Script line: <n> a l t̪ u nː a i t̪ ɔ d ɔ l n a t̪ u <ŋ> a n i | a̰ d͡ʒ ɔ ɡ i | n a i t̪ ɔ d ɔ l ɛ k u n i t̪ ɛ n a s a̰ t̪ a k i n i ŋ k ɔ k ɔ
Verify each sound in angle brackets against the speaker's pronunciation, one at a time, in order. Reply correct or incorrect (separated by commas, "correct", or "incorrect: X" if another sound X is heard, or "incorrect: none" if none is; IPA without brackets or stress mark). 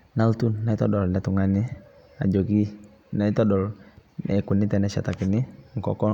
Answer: correct, correct